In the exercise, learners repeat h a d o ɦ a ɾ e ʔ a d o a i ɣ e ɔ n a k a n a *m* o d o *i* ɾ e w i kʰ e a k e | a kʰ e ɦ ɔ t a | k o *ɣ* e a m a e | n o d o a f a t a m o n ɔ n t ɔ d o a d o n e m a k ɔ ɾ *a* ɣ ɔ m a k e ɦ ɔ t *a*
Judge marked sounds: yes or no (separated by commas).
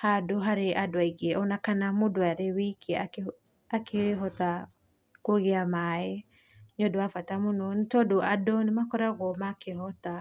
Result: yes, no, yes, yes, yes